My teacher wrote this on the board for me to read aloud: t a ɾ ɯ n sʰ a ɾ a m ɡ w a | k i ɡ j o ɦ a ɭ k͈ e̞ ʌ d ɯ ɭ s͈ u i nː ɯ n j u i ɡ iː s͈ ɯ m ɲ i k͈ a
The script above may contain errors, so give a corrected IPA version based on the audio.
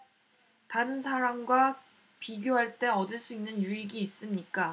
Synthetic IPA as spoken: t a ɾ ɯ n sʰ a ɾ a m ɡ w a | p i ɡ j o ɦ a ɭ t͈ e̞ ʌ d ɯ ɭ s͈ u i nː ɯ n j u i ɡ iː s͈ ɯ m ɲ i k͈ a